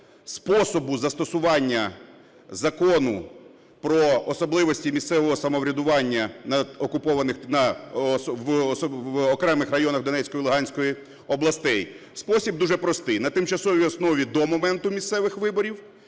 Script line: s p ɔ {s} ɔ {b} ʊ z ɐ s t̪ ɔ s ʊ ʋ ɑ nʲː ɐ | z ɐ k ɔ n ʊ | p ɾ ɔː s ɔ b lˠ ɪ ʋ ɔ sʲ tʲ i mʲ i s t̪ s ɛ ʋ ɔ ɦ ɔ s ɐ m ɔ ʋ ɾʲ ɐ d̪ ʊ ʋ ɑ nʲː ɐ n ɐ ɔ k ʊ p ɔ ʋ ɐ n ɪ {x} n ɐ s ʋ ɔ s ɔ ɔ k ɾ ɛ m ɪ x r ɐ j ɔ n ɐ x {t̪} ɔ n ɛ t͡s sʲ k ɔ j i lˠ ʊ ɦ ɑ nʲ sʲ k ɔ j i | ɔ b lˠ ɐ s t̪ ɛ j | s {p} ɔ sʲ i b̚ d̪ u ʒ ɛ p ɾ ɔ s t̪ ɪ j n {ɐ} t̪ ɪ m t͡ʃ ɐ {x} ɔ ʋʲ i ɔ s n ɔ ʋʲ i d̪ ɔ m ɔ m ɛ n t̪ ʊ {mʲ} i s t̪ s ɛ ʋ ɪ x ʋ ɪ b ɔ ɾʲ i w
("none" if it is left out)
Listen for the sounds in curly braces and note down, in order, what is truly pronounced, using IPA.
s, b, x, d̪, p, ɐ, s, mʲ

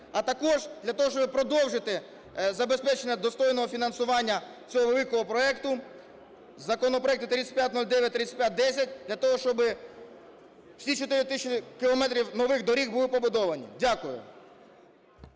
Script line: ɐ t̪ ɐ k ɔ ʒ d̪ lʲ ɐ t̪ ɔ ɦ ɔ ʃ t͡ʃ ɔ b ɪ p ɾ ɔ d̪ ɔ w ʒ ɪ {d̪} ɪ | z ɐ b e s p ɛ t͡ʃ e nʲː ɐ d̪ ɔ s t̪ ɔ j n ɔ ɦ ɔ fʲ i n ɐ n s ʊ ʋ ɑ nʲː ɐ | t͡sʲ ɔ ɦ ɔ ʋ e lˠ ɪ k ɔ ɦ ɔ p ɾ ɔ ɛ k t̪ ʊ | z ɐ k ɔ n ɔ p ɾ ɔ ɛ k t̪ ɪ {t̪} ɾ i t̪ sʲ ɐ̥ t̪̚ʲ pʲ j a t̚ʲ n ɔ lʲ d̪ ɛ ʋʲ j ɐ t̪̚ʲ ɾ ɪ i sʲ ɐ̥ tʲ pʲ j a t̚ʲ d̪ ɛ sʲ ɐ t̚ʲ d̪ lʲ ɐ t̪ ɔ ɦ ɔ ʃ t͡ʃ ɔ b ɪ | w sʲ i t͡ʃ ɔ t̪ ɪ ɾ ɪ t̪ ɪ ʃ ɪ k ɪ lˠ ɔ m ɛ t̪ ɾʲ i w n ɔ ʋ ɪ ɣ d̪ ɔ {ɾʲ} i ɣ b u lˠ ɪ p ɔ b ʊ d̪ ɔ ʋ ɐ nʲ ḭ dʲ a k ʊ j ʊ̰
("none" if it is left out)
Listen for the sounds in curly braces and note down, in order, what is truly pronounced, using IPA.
t̪, t̪, ɾʲ

